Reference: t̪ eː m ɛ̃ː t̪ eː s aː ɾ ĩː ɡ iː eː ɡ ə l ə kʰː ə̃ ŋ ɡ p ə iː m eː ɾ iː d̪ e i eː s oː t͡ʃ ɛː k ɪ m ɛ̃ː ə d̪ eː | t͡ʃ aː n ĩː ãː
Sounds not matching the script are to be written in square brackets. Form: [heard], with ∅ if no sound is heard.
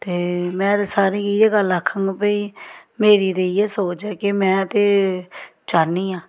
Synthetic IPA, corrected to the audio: t̪ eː m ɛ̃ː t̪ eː s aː ɾ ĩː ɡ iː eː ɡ ə l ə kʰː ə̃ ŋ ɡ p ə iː m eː ɾ iː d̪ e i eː s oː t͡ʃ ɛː k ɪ m ɛ̃ː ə [t̪] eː | t͡ʃ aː n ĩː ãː